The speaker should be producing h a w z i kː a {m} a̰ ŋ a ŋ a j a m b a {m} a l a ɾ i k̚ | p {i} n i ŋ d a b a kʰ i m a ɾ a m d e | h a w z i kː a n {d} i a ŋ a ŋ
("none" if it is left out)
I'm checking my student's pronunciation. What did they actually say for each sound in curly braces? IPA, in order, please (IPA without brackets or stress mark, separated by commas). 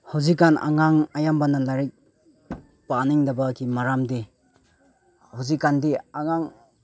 n, n, a, d